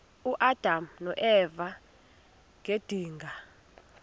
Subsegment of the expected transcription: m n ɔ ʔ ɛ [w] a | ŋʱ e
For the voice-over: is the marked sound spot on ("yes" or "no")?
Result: no